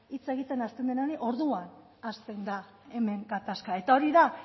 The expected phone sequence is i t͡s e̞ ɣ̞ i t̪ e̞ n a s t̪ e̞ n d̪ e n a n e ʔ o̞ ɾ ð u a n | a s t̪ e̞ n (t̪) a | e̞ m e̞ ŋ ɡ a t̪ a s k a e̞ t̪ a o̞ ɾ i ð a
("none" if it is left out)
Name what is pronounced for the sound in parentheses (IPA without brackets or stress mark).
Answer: d̪